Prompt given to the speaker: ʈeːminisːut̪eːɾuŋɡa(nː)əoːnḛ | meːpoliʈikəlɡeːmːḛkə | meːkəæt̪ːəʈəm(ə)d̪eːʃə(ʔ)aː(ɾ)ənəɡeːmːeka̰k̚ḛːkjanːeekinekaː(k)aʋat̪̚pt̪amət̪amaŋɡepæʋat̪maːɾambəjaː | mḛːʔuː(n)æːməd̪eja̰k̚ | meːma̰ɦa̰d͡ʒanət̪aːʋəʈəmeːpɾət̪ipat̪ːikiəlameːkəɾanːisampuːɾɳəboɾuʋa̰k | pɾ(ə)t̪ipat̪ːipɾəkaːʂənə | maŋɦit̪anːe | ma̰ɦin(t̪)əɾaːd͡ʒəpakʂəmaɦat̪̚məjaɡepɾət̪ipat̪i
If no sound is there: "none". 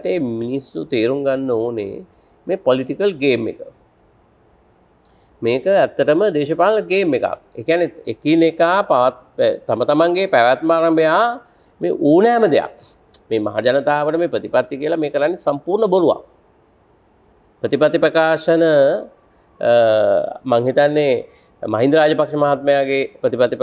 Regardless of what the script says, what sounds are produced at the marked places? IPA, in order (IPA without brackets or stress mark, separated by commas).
nː, ə, p, l, p, n, ə, d̪